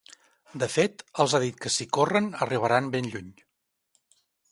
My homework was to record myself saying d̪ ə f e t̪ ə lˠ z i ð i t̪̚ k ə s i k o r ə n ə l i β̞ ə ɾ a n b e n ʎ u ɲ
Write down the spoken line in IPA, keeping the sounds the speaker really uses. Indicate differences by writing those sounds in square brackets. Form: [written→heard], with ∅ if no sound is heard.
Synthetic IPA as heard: d̪ ə f e t̪ ə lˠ z [i→a] ð i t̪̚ k ə s i k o r ə n ə [l→r] i β̞ ə ɾ a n b e n ʎ u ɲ